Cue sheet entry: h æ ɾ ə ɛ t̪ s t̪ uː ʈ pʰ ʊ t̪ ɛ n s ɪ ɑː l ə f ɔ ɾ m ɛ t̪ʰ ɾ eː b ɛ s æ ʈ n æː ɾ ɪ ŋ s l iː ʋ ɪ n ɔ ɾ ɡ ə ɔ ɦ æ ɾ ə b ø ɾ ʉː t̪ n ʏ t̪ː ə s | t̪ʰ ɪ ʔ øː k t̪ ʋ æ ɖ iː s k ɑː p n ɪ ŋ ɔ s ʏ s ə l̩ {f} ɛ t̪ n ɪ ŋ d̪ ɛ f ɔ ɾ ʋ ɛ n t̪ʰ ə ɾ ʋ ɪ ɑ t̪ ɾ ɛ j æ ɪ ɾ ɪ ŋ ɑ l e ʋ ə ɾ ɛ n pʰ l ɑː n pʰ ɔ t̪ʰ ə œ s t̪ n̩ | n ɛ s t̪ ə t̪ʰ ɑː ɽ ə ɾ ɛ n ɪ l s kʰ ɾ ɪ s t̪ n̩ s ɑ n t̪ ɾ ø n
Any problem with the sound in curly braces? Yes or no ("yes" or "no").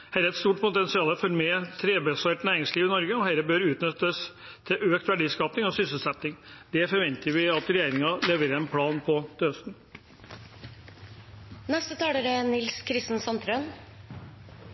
yes